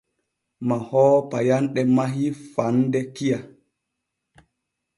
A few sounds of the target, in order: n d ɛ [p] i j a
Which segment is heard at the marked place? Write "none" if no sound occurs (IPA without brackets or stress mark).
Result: k